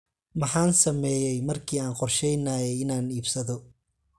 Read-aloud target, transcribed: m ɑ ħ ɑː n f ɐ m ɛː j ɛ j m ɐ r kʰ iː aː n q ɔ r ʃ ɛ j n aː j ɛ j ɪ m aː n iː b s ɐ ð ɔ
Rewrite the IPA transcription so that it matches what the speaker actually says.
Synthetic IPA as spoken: m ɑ ħ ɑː n s ɐ m ɛː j ɛ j m ɐ r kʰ iː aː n q ɔ r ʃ ɛ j n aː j ɛ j ɪ n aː n iː b s ɐ ð ɔ

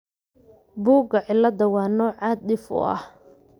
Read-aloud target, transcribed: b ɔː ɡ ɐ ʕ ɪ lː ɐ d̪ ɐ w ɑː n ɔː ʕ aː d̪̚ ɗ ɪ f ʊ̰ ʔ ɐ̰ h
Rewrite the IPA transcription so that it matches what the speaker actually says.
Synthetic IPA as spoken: b uː ɡ ɐ ʕ ɪ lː ɐ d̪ ɐ w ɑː n ɔː ʕ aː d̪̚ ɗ ɪ f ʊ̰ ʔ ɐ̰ h

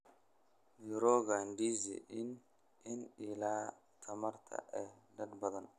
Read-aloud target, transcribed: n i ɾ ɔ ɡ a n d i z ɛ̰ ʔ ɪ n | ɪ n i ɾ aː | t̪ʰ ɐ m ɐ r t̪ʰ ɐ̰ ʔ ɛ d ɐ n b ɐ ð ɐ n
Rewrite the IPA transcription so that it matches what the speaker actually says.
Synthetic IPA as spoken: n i ɾ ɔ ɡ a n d i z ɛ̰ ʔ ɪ n | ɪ n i l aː | t̪ʰ ɐ m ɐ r t̪ʰ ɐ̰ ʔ ɛ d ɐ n b ɐ ð ɐ n

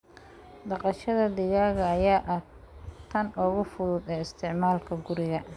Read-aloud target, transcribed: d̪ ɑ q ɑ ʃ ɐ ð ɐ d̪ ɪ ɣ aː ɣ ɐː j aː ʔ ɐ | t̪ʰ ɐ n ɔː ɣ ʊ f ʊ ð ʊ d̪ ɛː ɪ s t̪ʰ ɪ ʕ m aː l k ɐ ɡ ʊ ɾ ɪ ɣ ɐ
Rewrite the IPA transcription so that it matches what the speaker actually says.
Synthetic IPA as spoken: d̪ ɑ q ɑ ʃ ɐ ð ɐ d̪ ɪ ɣ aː ɣ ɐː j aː ʔ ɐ | t̪ʰ ɐ n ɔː ɣ ʊ f ʊ ð ʊ d̪ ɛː ɪ s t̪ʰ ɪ ʕ m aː l kʰ ɐ ɡ ʊ ɾ ɪ ɣ ɐ

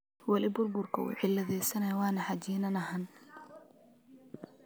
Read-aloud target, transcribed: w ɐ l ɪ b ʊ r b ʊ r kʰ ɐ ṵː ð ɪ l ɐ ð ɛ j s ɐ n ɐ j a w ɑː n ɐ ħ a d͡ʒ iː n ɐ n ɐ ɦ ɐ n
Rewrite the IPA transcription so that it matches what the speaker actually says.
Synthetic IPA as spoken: w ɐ l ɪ b ʊ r b ʊ r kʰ ɐ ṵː ʕ ɪ l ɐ ð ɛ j s ɐ n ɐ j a w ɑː n ɐ ħ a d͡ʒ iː n ɐ n ɐ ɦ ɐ n

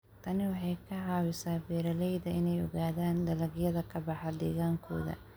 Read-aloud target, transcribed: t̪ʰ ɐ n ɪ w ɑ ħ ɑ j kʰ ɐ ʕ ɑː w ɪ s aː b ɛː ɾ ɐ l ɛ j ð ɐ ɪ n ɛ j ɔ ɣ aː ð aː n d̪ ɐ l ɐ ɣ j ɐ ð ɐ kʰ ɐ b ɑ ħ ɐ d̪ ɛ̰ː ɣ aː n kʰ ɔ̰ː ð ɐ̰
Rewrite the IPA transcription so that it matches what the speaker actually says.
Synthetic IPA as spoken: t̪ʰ ɐ n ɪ w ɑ ħ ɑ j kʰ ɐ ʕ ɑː w ɪ s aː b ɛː ɾ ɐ l ɛ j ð ɐ ɪ n ɛ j ɔ ɣ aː ð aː n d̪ ɐ l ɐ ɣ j ɐ ð ɐ kʰ ɐ b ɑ ħ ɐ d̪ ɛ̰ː ɣ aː ŋ kʰ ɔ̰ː ð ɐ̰

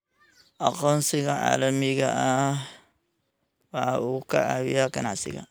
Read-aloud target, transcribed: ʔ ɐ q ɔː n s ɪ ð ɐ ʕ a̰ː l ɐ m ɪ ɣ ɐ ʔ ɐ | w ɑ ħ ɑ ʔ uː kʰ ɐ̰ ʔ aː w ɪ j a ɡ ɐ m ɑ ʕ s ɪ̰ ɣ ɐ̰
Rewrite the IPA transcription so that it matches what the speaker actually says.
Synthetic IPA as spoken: ʔ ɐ q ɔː n s ɪ ɣ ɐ ʕ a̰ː l ɐ m ɪ ɣ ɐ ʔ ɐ | w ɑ ħ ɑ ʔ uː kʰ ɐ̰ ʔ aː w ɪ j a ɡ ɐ n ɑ ʕ s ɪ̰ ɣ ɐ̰

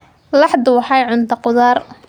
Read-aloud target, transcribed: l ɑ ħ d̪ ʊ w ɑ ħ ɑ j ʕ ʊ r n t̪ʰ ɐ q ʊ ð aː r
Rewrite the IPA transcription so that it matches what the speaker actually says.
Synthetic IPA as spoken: l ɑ ħ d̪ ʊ w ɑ ħ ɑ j ʕ ʊ n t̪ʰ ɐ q ʊ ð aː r

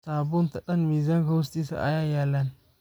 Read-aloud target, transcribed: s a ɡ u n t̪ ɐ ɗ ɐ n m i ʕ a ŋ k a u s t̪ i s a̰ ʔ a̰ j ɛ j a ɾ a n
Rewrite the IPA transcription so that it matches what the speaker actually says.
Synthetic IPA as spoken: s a b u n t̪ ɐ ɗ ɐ n m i z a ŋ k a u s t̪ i s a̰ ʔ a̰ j a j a l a n

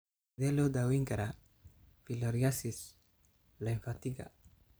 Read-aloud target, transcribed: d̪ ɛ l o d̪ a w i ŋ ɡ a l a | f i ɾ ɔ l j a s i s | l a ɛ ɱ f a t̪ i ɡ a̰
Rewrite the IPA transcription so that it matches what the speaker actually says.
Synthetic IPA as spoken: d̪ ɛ l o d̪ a w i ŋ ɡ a ɾ a | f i l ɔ ɾ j a s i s | l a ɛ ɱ f a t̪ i ɡ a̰

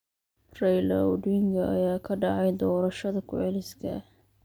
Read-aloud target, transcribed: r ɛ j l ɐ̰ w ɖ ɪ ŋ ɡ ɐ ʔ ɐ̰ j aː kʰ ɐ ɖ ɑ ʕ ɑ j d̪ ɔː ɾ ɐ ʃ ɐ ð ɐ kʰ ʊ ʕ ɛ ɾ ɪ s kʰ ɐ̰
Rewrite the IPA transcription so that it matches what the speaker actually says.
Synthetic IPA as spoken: r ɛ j l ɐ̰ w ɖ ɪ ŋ ɡ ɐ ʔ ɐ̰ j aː kʰ ɐ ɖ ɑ ʕ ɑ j d̪ ɔː ɾ ɐ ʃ ɐ ð ɐ kʰ ʊ ʕ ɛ l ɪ s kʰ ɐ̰

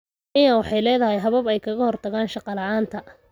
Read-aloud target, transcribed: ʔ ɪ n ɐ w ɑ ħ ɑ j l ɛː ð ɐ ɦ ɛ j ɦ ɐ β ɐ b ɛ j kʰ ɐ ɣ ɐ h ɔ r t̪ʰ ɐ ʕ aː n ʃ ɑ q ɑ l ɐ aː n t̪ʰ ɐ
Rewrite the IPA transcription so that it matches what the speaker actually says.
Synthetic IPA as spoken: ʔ ɪ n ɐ w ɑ ħ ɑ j l ɛː ð ɐ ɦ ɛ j ɦ ɐ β ɐ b ɛ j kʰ ɐ ɣ ɐ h ɔ r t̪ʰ ɐ ɣ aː n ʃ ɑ q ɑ l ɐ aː n t̪ʰ ɐ

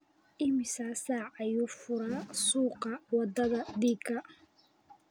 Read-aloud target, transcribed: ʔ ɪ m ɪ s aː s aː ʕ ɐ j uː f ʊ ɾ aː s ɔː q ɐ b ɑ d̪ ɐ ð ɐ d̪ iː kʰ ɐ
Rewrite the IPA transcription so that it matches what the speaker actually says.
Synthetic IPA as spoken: ʔ ɪ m ɪ s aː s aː ʕ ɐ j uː f ʊ ɾ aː s uː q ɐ w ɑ d̪ ɐ ð ɐ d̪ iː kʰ ɐ

